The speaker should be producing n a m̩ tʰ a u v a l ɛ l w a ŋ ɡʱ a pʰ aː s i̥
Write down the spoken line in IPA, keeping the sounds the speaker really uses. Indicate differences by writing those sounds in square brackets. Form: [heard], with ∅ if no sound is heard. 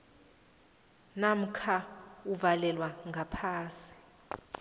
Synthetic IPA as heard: n a m̩ [kʰ] a u v a l ɛ l w a ŋ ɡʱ a pʰ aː s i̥